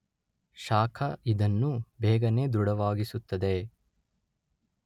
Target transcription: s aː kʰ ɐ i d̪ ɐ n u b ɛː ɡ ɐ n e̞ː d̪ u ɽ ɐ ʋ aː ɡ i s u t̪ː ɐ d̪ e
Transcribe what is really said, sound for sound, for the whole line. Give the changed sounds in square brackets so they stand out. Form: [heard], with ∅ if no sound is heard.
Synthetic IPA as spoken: [ʃ] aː kʰ ɐ i d̪ ɐ [nː] u b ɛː ɡ ɐ n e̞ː d̪ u ɽ ɐ ʋ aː ɡ i s u t̪ː ɐ d̪ e